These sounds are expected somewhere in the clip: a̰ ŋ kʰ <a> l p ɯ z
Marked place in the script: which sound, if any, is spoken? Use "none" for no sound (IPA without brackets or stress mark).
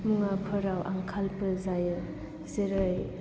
a